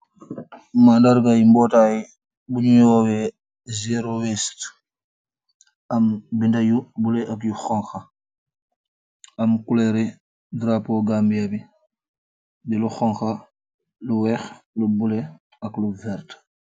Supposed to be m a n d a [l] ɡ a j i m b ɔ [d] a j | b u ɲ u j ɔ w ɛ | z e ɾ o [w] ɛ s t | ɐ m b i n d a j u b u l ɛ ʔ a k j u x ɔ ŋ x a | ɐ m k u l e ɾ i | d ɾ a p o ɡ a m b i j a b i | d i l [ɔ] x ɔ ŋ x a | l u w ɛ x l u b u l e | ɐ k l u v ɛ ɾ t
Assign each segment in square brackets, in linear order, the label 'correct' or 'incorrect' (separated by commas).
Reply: incorrect, incorrect, correct, incorrect